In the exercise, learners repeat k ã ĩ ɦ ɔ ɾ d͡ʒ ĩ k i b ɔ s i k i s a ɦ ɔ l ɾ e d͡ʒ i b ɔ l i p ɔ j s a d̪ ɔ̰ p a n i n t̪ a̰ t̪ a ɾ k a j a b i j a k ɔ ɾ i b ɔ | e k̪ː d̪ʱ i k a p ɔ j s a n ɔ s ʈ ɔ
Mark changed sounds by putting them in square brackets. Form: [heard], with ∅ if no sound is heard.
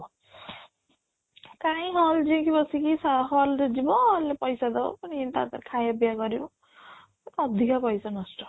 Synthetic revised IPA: k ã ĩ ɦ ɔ [l] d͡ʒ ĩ k i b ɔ s i k i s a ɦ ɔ l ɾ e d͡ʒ i b ɔ l [e] p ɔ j s a d̪ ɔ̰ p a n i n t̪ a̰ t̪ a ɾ [kʰ] a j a b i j a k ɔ ɾ i b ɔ | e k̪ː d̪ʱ i k a p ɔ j s a n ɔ s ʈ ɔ